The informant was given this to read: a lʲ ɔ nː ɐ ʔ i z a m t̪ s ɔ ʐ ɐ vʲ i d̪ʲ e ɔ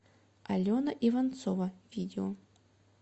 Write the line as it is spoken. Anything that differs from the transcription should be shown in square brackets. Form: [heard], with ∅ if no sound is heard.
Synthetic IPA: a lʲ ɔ [n] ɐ ʔ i [v] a [n] t̪ s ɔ [v] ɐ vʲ i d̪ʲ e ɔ